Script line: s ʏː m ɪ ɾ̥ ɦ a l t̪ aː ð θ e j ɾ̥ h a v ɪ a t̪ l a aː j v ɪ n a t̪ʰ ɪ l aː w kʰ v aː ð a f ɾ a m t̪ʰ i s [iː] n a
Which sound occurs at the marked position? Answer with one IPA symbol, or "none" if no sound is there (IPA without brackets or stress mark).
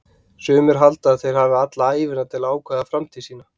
iː